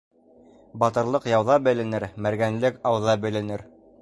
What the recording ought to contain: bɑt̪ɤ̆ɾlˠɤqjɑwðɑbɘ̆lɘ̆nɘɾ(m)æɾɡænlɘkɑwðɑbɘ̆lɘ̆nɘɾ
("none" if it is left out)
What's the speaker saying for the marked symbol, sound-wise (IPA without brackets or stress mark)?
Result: m